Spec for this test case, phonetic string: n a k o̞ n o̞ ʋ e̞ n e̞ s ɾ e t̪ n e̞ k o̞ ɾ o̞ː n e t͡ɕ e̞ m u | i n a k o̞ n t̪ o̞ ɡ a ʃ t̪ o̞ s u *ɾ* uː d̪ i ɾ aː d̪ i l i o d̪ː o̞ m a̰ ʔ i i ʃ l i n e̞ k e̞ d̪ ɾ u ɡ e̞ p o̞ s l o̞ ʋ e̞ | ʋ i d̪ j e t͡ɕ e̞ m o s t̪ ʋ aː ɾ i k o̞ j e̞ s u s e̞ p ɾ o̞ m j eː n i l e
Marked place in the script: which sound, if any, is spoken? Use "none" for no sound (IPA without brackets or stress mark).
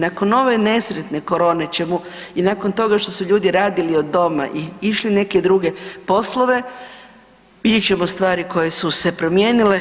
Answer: ʎ